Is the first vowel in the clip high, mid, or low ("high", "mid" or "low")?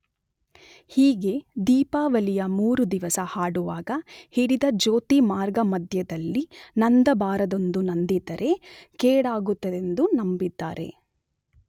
high